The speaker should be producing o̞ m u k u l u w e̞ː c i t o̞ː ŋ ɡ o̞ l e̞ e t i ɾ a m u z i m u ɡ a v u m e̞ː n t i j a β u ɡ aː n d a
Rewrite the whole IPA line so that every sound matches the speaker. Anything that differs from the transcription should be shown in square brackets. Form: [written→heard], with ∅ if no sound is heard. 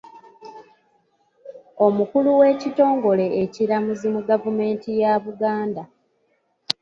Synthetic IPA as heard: o̞ m u k u l u w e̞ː c i t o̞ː ŋ ɡ o̞ l e̞ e [t→c] i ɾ a m u z i m u ɡ a v u m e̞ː n t i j a β u ɡ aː n d a